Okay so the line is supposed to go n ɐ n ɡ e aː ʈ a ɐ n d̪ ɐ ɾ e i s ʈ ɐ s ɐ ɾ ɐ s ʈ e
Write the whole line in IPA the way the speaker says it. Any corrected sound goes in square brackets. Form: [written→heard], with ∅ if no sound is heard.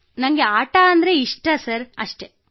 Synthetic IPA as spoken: n ɐ [n→ŋ] ɡ e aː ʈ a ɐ n d̪ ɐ ɾ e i [s→ʂ] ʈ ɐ s ɐ ɾ ɐ [s→ʂ] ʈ e